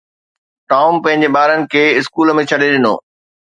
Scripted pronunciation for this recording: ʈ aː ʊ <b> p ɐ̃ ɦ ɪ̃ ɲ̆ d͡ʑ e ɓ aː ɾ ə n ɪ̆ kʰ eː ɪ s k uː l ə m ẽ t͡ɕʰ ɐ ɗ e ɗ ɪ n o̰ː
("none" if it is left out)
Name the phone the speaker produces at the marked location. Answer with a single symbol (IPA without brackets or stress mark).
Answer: m